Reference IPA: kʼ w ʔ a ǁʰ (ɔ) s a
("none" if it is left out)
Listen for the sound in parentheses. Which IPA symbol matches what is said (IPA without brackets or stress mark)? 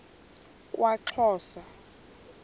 ɔː